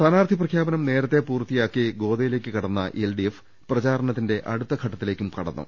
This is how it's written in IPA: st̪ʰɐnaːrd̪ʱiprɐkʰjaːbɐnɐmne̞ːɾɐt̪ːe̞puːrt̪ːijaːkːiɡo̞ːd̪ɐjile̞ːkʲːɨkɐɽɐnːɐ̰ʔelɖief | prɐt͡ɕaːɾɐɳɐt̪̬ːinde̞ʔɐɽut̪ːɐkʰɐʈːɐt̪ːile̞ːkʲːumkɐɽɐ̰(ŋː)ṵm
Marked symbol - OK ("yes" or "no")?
no